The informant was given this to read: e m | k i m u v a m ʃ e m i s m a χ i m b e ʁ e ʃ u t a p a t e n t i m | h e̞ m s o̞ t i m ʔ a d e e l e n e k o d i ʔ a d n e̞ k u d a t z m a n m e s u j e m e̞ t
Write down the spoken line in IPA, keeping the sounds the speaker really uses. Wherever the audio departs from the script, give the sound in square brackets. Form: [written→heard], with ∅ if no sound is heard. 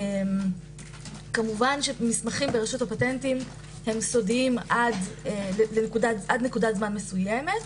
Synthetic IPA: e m | k [i→a] m u v a [m→n] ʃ e m i s m a χ i m b e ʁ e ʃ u t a p a t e n t i m | h e̞ m s o̞ [t→d] i m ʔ a d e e l e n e k [o→u] d [i→a] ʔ a d n e̞ k u d a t z m a n m e s u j e m e̞ t

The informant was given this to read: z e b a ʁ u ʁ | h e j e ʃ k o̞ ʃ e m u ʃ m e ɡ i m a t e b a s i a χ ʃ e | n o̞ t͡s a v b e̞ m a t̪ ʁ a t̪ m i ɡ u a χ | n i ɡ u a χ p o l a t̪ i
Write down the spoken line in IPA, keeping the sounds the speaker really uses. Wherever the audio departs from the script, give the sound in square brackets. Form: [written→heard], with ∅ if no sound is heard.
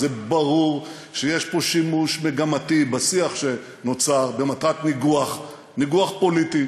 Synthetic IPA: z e b a ʁ u ʁ | [h→ʃ] e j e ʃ [k→p] o̞ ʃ [e→i] m u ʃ m e ɡ [i→a] m a t [e→i] b a s i a χ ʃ e | n o̞ t͡s a [v→ʁ] b e̞ m a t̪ ʁ a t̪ [m→n] i ɡ u a χ | n i ɡ u a χ p o l [a→i] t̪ i

